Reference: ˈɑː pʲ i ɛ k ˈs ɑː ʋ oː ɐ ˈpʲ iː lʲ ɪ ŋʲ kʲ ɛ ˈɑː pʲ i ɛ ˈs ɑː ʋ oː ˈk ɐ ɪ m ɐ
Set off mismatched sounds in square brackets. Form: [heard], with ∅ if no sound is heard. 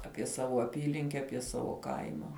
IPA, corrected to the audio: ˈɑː pʲ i ɛ [∅] ˈs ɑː ʋ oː ɐ ˈpʲ iː lʲ ɪ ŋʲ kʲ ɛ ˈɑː pʲ i ɛ ˈs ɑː ʋ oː ˈk ɐ ɪ m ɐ